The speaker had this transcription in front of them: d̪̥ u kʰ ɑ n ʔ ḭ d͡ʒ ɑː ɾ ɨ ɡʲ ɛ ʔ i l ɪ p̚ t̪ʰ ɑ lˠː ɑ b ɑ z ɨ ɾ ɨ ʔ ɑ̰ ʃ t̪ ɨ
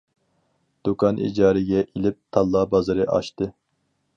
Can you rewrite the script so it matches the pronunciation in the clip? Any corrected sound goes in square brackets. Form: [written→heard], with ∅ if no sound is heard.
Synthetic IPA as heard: d̪̥ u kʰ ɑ n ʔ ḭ d͡ʒ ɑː ɾ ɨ ɡʲ ɛ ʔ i l ɪ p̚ t̪ʰ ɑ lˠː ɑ b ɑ z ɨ ɾ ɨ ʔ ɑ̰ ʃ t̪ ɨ